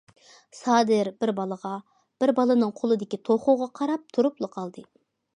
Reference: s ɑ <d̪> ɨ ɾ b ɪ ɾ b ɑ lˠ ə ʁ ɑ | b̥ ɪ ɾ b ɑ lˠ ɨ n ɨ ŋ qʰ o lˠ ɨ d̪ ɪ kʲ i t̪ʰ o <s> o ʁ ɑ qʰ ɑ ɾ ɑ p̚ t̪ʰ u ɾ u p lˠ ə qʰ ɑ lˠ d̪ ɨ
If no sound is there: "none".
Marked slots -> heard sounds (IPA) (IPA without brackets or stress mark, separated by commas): d̪, χ